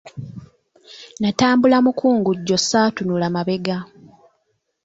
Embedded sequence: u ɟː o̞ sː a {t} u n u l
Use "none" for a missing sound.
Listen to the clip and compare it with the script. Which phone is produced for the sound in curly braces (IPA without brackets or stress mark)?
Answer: t